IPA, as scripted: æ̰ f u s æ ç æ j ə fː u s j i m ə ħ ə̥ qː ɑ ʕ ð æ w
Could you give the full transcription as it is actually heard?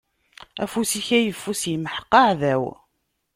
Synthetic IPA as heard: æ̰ f u s i ç æ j ə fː u s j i m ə ħ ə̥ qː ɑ ʕ ð æ w